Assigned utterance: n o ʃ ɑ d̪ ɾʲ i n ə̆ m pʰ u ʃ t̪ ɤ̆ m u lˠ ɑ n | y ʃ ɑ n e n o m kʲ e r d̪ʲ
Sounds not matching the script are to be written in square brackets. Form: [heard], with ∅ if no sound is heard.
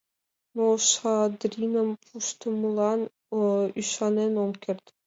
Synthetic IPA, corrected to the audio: n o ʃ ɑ d̪ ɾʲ i n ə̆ m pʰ u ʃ t̪ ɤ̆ m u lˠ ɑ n | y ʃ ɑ n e n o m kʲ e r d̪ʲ